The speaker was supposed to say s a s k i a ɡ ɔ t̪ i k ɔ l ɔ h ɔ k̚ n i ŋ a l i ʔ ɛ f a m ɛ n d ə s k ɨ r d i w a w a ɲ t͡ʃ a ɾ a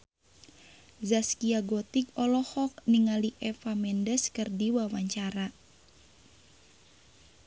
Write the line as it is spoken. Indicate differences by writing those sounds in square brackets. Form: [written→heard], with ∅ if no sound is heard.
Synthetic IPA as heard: [s→z] a s k i a ɡ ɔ t̪ i k ɔ l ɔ h ɔ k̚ n i ŋ a l i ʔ ɛ f a m ɛ n d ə s k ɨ r d i w a w a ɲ t͡ʃ a ɾ a